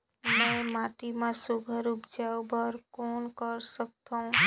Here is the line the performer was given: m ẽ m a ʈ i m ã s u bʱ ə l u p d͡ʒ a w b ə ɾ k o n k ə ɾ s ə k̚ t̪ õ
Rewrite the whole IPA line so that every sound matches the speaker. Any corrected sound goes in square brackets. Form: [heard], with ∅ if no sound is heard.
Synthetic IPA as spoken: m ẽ m a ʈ i m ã s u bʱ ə [ɾ] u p d͡ʒ a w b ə ɾ k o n k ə ɾ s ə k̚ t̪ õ